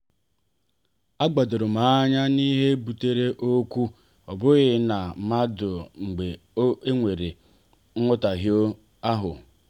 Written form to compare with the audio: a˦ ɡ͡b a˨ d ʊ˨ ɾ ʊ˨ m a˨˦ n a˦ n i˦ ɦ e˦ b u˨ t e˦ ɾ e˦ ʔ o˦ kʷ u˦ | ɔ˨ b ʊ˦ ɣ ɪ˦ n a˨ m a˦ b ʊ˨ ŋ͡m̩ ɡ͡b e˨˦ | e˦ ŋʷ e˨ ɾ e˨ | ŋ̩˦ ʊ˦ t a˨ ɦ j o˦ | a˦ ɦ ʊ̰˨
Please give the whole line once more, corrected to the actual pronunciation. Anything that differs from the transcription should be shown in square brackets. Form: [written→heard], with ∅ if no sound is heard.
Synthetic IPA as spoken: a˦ ɡ͡b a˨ d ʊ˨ ɾ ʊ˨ m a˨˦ [n→ɲ] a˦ n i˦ ɦ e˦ b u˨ t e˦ ɾ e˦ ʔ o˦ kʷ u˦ | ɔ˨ b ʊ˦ ɣ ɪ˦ n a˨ m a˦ [b→d] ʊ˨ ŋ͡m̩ ɡ͡b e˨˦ | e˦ ŋʷ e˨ ɾ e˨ | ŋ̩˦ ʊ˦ t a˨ ɦ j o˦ | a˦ ɦ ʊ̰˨